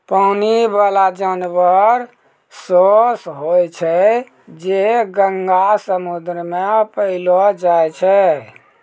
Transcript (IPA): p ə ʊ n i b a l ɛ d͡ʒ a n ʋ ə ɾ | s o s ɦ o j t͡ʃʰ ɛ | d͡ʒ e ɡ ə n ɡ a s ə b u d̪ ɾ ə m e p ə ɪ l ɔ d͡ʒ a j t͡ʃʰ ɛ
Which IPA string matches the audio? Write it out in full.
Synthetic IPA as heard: p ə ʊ n i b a l a d͡ʒ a n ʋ ə ɾ | s o s ɦ o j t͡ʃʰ ɛ | d͡ʒ e ɡ ə ŋ ɡ a s ə m u d̪ ɾ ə m e p ə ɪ l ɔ d͡ʒ a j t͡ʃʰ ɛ